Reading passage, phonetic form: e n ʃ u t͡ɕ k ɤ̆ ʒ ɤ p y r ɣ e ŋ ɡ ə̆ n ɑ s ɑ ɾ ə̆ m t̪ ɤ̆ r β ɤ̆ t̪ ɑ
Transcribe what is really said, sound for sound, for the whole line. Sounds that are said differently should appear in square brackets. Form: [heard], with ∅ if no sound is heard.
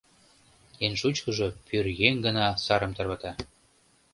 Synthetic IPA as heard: e n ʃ u t͡ɕ k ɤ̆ ʒ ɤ p y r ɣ e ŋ ɡ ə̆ n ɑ s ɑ ɾ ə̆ m t̪ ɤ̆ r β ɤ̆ t̪ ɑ

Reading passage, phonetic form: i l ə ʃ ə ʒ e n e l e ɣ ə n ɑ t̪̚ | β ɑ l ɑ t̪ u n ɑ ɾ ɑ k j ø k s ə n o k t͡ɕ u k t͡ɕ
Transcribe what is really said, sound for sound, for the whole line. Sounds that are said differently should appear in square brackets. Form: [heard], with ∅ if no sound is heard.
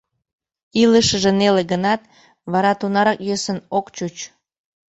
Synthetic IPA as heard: i l ə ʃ ə ʒ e n e l e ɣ ə n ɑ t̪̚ | β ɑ [ɾ] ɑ t̪ u n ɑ ɾ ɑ k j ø [∅] s ə n o k t͡ɕ u [∅] t͡ɕ

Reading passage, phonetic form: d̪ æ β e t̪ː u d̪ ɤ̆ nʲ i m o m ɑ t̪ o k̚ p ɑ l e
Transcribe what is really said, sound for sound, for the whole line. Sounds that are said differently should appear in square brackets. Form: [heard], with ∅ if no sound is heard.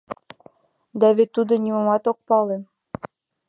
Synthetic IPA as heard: d̪ æ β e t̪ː u d̪ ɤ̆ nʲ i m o m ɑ t̪ o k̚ p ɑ l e

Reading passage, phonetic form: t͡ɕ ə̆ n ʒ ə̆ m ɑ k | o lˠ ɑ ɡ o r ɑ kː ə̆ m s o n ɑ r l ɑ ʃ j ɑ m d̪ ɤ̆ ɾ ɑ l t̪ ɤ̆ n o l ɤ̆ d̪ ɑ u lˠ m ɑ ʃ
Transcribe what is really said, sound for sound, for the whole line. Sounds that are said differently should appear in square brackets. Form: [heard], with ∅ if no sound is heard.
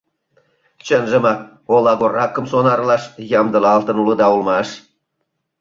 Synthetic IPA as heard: t͡ɕ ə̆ n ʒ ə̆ m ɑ k | o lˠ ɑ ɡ o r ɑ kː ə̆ m s o n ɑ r l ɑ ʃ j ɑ m d̪ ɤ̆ [l] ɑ l t̪ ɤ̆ n [u] l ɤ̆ d̪ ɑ u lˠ m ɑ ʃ

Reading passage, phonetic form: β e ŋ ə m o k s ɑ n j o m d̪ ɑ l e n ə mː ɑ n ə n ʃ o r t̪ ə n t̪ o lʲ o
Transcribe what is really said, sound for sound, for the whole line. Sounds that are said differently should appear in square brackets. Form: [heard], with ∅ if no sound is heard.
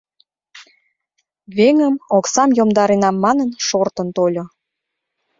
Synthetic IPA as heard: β e ŋ ə m o k s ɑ [m] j o m d̪ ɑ [ɾ] e n [ɑ] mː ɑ n ə n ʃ o r t̪ ə n t̪ o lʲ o

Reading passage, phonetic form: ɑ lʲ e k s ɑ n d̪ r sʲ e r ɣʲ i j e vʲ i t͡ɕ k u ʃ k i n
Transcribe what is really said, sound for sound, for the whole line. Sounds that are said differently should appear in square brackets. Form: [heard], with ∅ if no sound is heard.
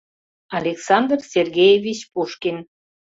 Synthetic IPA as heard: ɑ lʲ e k s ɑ n d̪ r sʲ e r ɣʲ [e] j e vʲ i t͡ɕ [p] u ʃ k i n

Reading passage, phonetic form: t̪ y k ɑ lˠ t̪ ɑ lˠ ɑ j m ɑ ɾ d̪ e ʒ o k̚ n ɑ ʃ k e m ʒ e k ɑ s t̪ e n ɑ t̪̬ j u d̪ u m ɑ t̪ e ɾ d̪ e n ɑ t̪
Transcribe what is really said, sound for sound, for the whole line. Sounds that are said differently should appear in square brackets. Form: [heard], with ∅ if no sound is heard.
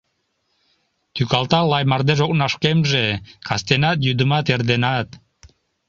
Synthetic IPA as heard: t̪ y k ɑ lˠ t̪ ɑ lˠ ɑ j m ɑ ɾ d̪ e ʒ o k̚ n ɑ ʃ k e m ʒ e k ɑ s t̪ e n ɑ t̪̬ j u d̪ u m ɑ t̪ e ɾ d̪ e n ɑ t̪

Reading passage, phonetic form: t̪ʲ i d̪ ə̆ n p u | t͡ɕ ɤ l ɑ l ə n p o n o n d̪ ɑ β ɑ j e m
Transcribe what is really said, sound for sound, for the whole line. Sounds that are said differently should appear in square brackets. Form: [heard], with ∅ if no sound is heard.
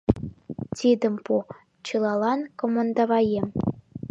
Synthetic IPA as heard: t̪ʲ i d̪ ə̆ [m] p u | t͡ɕ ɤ l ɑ l [ɑ] n [k] o [m] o n d̪ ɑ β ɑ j e m

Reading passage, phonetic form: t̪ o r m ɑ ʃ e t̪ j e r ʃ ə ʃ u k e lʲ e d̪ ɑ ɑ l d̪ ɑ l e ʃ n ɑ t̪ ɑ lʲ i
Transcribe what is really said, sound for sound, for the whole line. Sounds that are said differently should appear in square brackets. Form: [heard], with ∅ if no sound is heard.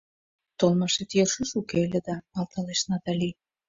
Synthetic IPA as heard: t̪ o [l] m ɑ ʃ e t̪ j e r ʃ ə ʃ u k e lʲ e d̪ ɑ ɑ l [t̪] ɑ l e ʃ n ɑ t̪ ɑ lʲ i

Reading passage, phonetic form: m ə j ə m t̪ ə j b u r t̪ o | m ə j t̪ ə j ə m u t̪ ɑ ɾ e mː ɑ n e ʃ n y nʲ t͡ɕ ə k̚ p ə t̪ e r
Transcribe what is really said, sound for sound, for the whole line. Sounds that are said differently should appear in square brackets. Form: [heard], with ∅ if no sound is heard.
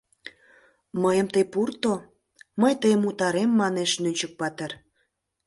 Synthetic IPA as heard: m ə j ə m t̪ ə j [p] u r t̪ o | m ə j t̪ ə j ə m u t̪ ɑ ɾ e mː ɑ n e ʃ n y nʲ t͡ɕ ə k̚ p [ɑ] t̪ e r

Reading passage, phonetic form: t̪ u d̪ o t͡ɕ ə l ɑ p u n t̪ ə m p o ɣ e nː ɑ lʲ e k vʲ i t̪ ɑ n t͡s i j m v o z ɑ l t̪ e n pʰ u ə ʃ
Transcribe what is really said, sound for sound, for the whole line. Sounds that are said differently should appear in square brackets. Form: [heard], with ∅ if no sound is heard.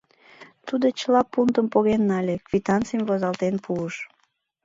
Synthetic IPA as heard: t̪ u d̪ o t͡ɕ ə l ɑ p u n t̪ ə m p o ɣ e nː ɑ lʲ e k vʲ i t̪ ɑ n t͡s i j m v o z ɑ l t̪ e n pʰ u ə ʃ

